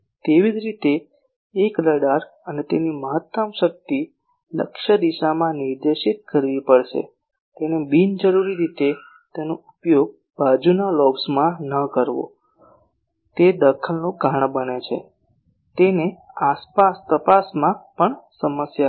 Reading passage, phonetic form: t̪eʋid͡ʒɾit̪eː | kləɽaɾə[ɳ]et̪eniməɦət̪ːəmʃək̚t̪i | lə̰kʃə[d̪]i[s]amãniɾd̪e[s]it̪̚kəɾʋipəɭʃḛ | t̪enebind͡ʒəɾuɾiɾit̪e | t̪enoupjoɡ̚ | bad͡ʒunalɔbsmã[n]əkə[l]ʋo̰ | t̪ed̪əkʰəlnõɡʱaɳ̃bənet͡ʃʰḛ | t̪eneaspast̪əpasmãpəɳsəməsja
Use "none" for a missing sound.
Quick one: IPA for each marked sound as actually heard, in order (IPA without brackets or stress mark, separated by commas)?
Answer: n, d̪, ʃ, ʃ, n, ɾ